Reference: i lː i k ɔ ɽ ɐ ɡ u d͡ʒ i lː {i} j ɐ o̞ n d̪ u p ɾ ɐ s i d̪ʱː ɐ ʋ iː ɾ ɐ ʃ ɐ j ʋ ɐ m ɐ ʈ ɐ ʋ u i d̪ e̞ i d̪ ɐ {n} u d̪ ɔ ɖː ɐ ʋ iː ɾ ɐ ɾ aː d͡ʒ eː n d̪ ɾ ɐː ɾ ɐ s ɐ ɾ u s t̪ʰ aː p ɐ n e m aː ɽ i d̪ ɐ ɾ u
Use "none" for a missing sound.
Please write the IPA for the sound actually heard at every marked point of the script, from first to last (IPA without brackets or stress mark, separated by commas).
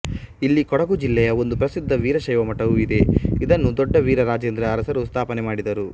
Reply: ɛ, nː